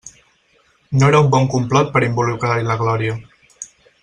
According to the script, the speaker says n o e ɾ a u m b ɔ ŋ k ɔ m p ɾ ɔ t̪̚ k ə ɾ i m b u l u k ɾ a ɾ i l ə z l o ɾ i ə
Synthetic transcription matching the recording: n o e ɾ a u m b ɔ ŋ k u m p l ɔ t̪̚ p ə ɾ i m b u l u k ɾ a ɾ i l ə ɣ l ɔ ɾ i ə